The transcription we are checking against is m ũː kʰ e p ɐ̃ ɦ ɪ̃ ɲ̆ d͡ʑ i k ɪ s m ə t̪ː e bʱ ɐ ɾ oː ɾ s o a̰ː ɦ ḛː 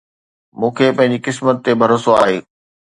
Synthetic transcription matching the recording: m ũː kʰ e p ɐ̃ ɦ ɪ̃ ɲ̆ d͡ʑ i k ɪ s m ə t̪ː e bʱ ɐ ɾ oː s o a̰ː ɦ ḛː